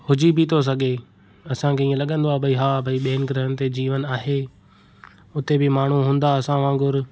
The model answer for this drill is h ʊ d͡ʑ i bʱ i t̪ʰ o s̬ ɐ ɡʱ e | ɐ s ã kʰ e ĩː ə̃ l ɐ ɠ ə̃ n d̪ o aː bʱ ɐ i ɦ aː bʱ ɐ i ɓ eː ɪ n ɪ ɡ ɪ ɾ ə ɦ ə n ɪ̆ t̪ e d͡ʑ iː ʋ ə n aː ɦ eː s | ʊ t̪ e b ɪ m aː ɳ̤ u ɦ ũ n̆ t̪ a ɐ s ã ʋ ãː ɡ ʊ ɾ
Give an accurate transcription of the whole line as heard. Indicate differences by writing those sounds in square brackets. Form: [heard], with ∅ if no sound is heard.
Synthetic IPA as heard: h ʊ d͡ʑ i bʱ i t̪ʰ o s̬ ɐ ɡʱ e | ɐ s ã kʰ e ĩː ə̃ l ɐ ɠ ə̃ n d̪ o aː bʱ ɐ i ɦ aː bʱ ɐ i ɓ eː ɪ n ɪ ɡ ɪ ɾ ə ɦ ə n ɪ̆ t̪ e d͡ʑ iː ʋ ə n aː ɦ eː [∅] | ʊ t̪ e b ɪ m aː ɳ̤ u ɦ [ũː] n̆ [d̪] a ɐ s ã ʋ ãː ɡ ʊ ɾ